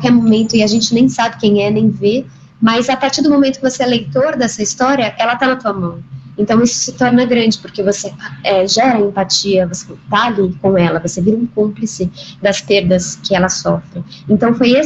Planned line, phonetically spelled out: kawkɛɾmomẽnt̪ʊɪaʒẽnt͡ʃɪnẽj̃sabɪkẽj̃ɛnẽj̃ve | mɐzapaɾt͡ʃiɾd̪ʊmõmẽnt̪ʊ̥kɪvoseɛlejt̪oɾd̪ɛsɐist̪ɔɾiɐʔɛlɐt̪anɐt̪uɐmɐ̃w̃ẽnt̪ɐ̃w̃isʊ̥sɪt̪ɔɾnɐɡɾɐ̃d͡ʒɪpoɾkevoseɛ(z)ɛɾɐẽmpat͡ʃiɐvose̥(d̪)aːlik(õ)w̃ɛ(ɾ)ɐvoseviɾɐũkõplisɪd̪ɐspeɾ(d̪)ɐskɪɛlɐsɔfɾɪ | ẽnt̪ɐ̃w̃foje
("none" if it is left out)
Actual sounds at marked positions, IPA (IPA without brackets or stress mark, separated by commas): ʒ, t̪, õ, l, d̪